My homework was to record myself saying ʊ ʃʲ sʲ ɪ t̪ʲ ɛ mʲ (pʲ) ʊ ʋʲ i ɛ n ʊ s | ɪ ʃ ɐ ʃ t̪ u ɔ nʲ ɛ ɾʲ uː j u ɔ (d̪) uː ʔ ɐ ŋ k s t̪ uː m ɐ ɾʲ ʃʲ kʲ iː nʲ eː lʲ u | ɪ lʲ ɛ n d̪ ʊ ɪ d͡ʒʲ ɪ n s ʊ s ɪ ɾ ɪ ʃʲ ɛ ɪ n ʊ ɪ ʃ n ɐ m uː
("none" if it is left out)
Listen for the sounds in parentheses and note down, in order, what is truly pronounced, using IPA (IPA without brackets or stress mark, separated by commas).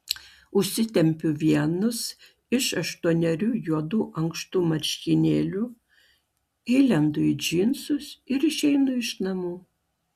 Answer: pʲ, d̪